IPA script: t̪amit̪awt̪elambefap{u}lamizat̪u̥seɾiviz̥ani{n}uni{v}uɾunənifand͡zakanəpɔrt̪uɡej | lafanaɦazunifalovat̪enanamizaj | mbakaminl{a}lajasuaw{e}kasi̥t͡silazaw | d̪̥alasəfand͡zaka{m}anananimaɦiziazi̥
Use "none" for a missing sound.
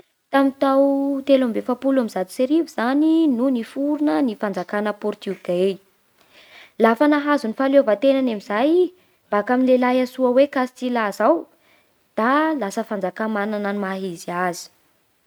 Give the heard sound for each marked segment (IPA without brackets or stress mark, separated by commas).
u, n, f, e, e, m